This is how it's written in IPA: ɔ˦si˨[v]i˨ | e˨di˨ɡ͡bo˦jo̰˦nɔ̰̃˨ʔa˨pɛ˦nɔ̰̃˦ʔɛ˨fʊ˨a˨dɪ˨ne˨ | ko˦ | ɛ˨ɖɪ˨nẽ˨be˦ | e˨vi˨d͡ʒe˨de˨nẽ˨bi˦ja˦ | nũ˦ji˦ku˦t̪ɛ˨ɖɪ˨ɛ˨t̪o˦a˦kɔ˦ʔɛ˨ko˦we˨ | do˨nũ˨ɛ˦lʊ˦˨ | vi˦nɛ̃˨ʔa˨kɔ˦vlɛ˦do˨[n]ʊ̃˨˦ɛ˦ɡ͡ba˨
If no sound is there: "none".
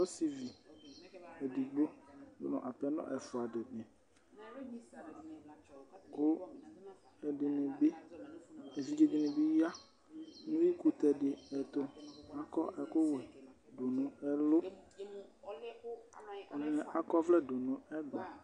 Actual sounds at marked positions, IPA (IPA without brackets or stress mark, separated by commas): v, n